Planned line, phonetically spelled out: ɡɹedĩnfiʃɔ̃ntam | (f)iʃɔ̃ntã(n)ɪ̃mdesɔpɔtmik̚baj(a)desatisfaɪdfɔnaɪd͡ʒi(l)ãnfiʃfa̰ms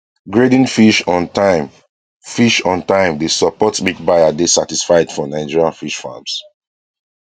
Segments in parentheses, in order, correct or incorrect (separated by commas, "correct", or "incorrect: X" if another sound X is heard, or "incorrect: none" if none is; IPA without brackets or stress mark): correct, incorrect: none, correct, incorrect: ɹ